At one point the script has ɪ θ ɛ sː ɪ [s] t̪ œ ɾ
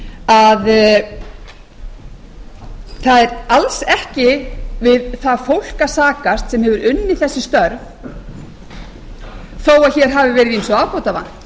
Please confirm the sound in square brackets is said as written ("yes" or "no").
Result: yes